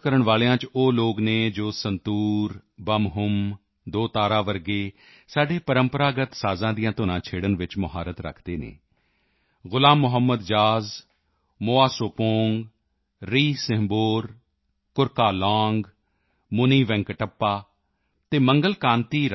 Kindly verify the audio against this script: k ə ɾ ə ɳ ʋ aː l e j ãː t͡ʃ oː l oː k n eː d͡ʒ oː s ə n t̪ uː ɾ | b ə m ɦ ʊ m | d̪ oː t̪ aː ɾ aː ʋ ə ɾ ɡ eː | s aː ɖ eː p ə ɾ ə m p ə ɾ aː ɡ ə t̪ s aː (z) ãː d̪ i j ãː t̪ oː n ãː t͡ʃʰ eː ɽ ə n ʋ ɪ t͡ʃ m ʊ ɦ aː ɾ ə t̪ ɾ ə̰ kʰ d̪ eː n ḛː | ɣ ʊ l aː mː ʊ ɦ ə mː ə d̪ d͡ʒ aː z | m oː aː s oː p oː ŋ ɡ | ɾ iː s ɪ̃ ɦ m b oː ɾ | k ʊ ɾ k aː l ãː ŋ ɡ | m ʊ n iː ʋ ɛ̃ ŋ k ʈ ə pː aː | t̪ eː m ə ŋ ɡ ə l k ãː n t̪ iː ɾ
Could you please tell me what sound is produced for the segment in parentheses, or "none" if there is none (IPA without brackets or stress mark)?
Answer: z